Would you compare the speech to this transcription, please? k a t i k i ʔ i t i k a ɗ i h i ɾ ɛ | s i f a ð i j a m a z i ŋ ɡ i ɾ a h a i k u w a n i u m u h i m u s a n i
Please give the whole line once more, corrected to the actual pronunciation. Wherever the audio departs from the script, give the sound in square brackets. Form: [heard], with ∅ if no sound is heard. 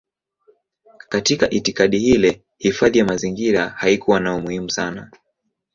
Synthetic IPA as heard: k a t i k [a] ʔ i t i k a ɗ i h i [l] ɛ | [h] i f a ð i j a m a z i ŋ ɡ i ɾ a h a i k u w a n [a] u m u h i m u s a n [a]